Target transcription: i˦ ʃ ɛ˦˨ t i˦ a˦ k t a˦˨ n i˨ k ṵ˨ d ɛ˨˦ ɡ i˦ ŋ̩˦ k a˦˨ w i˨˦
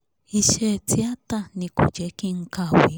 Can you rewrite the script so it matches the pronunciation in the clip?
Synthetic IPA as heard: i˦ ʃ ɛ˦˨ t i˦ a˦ t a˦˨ n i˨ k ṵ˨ d͡ʒ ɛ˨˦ k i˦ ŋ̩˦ k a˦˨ w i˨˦

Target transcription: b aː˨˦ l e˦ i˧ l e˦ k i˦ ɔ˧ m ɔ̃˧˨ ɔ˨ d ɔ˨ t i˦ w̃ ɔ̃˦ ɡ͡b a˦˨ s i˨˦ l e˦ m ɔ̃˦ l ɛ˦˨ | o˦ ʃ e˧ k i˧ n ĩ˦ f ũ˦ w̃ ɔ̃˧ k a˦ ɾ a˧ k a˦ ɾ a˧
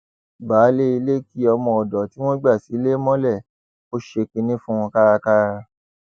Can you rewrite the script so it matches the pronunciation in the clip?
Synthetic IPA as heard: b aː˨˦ l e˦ i˧ l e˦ k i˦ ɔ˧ m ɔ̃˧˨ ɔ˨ d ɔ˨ t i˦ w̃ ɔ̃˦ ɡ͡b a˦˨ s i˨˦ l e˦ m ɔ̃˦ l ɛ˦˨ | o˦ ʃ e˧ k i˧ n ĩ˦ f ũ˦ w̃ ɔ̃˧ k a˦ ɾ a˧ k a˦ ɾ a˧

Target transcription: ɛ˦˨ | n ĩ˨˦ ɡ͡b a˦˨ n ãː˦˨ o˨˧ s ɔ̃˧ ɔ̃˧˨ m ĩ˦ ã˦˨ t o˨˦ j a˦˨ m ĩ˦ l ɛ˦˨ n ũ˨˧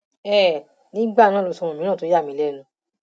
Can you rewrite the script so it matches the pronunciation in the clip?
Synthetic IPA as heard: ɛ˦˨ | n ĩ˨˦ ɡ͡b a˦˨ n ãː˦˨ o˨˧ s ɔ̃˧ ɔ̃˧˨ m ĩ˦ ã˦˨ t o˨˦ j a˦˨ m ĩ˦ l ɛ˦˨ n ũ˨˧

